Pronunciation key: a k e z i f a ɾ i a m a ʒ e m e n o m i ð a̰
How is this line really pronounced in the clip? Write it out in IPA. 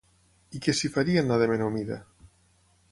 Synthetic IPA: i k e s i f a ɾ i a n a ð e m e n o m i ð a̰